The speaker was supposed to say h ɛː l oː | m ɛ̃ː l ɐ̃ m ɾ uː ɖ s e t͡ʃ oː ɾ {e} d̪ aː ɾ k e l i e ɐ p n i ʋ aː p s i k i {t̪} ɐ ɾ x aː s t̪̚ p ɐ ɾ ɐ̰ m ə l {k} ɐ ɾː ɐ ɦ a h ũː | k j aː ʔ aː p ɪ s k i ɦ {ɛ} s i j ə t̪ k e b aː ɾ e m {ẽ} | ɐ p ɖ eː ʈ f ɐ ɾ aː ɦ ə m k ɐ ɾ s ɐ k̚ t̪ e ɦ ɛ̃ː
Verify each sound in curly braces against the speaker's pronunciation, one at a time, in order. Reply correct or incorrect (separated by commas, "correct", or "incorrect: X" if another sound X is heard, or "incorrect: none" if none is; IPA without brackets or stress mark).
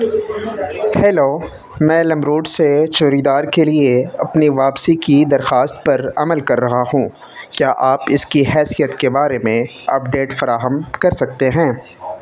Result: incorrect: i, incorrect: d̪, correct, incorrect: ɛː, correct